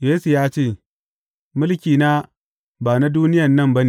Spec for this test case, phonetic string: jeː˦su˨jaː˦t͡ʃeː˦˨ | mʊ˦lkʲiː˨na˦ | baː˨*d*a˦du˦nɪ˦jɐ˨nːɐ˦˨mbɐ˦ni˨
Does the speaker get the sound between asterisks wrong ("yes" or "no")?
yes